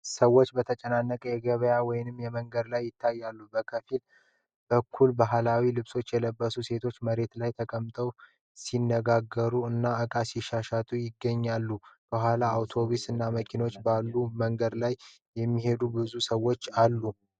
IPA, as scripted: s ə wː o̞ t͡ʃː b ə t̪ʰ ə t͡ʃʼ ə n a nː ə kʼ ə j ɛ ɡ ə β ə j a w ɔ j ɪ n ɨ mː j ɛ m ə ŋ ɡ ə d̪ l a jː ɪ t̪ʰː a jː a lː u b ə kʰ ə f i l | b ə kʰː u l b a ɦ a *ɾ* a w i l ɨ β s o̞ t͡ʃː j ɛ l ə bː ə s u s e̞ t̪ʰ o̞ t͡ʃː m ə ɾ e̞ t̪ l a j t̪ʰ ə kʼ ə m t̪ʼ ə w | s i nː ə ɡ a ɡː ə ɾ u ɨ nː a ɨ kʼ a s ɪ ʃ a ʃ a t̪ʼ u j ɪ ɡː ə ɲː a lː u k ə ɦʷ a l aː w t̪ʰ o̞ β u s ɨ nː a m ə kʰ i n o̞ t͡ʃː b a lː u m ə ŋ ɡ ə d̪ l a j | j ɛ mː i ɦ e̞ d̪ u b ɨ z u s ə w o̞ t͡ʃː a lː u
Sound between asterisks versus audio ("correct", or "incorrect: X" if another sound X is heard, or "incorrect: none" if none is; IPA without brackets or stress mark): incorrect: l